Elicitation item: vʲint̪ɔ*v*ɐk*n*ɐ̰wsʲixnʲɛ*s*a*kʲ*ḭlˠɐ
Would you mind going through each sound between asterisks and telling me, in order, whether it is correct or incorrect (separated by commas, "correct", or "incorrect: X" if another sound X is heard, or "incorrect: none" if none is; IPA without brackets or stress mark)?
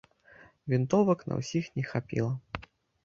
correct, correct, incorrect: x, incorrect: pʲ